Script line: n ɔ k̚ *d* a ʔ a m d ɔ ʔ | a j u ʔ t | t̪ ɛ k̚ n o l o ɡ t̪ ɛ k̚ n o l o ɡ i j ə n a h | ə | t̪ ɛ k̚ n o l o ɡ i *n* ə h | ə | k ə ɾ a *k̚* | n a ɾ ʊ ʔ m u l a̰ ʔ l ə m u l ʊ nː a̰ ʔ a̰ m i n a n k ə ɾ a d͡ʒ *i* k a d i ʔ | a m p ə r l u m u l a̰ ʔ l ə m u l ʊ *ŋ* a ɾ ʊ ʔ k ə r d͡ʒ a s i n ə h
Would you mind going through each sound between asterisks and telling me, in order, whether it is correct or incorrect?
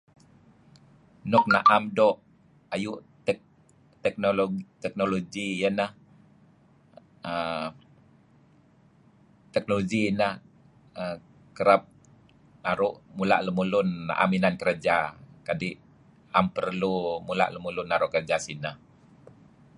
incorrect, correct, incorrect, incorrect, incorrect

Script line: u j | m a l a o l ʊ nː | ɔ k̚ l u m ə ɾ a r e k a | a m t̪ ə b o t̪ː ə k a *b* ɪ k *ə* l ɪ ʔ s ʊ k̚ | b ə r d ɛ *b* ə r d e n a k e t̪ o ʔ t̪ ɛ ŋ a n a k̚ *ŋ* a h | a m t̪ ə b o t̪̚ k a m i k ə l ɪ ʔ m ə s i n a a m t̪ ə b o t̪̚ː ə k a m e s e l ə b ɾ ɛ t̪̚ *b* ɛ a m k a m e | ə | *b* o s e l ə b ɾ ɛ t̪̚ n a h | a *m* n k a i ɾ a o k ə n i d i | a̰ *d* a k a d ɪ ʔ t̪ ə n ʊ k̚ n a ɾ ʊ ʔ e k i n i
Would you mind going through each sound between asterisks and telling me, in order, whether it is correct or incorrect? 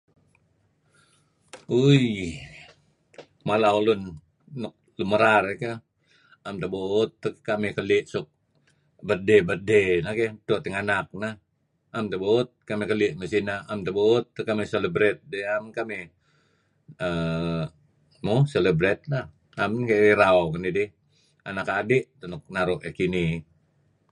incorrect, correct, correct, incorrect, incorrect, incorrect, correct, incorrect

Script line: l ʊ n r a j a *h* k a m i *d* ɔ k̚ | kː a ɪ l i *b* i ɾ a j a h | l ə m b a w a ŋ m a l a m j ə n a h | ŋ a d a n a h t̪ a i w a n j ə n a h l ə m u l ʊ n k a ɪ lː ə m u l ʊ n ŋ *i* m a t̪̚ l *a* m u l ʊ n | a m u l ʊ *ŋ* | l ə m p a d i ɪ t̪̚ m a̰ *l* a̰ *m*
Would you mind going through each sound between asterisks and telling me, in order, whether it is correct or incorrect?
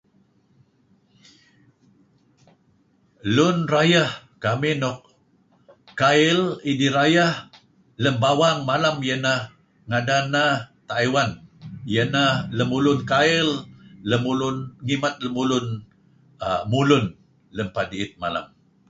correct, incorrect, incorrect, correct, incorrect, incorrect, correct, correct

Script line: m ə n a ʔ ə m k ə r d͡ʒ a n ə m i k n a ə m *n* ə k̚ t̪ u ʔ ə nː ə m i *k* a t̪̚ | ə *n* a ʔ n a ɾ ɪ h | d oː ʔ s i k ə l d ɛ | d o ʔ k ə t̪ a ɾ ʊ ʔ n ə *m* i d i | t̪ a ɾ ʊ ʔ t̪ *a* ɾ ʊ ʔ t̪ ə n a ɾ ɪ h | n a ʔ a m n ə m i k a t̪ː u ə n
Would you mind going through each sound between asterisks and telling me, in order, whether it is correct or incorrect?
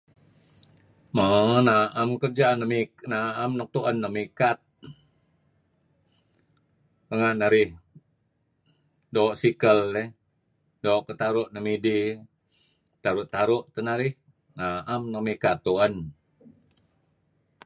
correct, correct, incorrect, correct, correct

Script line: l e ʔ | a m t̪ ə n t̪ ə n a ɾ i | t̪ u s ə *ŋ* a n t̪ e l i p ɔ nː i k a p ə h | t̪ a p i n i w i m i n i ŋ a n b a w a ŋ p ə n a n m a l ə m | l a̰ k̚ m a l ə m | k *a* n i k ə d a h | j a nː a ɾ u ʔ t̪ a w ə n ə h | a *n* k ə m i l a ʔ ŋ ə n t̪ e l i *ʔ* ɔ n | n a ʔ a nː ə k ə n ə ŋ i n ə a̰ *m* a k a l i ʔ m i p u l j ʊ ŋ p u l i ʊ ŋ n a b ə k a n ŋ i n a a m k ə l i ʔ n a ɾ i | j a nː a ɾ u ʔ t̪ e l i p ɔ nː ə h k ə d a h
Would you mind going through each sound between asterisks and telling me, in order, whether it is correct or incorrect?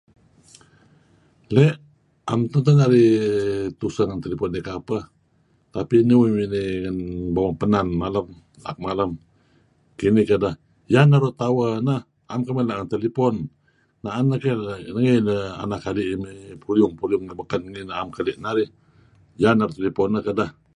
correct, incorrect, incorrect, incorrect, incorrect

